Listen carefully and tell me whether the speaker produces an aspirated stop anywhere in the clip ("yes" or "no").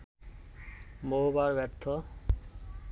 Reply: yes